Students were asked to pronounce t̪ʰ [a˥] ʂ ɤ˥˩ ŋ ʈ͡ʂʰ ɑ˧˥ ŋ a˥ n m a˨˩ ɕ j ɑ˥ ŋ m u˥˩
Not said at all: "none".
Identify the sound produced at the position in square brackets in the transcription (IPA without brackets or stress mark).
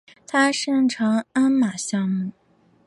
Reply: a˥